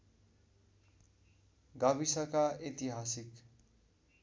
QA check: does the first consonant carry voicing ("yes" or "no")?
yes